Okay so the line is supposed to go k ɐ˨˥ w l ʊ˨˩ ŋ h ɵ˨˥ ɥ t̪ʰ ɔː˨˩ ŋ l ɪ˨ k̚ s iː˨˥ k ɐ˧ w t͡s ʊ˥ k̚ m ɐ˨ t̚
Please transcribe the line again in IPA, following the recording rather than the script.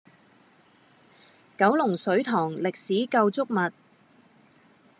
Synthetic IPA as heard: k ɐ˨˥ w l ʊ˨˩ ŋ s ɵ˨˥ ɥ t̪ʰ ɔː˨˩ ŋ l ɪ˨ k̚ s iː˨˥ k ɐ˧ w t͡s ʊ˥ k̚ m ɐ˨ t̚